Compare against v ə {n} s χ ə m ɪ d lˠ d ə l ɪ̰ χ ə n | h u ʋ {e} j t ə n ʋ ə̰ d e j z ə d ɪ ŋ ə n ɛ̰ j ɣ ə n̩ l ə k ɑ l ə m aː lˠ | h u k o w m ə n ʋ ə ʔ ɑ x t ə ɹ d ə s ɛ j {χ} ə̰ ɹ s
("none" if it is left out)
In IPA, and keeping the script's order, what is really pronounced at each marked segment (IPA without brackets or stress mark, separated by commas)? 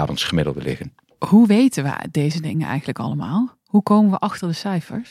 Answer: n, e, f